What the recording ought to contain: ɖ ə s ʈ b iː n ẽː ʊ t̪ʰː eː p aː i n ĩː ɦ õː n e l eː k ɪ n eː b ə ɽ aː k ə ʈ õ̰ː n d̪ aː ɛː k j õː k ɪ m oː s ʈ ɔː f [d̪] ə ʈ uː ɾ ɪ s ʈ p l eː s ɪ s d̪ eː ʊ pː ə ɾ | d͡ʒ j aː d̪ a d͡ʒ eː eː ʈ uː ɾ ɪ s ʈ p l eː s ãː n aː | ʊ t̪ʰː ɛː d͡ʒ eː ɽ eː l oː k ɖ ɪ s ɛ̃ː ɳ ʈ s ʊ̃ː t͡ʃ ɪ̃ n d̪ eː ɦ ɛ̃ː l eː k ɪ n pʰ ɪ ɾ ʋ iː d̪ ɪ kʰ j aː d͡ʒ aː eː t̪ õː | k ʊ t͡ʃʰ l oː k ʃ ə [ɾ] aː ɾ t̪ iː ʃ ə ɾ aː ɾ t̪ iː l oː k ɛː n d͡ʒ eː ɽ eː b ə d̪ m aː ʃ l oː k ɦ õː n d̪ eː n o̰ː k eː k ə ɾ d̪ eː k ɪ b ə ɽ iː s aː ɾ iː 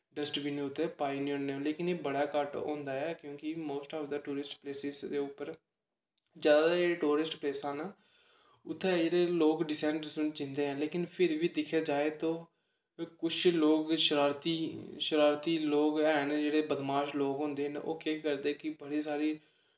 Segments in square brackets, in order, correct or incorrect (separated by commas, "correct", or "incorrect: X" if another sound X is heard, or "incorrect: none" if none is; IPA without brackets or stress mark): correct, correct